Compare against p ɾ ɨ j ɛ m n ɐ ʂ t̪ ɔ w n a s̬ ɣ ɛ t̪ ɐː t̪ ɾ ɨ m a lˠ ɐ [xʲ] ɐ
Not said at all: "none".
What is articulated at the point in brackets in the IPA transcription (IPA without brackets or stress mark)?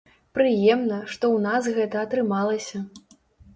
sʲ